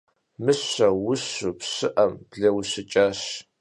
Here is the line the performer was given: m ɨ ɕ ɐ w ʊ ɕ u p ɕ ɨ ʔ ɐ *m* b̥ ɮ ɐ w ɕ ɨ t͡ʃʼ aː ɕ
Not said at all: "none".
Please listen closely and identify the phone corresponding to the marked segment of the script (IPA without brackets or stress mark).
m